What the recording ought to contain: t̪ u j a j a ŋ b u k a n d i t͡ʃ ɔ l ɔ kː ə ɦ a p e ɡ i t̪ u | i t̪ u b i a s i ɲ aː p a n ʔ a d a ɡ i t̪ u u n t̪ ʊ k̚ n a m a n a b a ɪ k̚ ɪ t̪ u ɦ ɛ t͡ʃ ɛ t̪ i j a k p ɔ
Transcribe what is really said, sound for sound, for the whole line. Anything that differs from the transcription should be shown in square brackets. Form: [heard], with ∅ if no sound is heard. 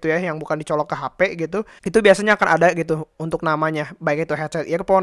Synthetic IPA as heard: t̪ u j a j a ŋ b u k a n d i t͡ʃ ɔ l ɔ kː ə ɦ a p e ɡ i t̪ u | i t̪ u b i a s [a] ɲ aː [k] a n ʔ a d a ɡ i t̪ u u n t̪ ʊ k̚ n a m a [ɲ] a b a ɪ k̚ [i] t̪ u ɦ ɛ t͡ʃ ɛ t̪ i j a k p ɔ